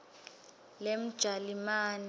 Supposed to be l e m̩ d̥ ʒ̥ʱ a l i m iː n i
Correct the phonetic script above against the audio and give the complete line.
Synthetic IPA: l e m̩ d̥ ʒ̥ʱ a l i m aː n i